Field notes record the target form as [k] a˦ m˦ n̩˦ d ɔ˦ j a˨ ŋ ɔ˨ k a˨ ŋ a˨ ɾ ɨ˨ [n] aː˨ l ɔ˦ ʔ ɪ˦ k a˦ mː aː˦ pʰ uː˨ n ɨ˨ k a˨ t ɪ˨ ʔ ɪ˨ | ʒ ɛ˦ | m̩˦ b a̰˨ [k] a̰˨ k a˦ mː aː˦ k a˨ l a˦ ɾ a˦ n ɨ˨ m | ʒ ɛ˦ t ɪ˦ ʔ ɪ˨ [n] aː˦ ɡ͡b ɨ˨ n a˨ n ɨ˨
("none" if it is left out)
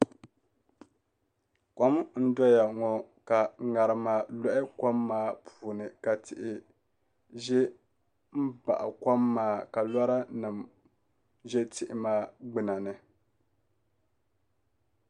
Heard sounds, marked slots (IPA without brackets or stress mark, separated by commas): k, m, ʔ, m